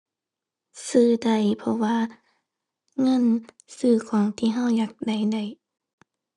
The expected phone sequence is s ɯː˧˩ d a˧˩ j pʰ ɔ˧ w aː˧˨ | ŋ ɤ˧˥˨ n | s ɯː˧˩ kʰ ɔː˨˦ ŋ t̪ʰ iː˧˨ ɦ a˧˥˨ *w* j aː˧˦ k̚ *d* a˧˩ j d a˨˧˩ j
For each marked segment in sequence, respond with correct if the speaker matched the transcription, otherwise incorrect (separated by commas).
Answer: correct, correct